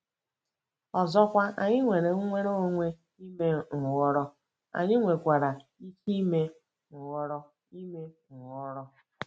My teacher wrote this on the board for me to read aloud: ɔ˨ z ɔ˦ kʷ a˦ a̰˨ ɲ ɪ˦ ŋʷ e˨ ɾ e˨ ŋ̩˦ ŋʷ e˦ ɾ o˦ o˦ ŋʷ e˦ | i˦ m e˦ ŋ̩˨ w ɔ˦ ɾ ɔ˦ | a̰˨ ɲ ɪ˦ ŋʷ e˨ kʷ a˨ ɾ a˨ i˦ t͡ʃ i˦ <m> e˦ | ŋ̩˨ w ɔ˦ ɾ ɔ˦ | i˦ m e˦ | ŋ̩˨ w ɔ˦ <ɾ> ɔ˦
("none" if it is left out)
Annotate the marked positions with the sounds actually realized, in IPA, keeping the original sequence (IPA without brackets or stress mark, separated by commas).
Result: m, ɾ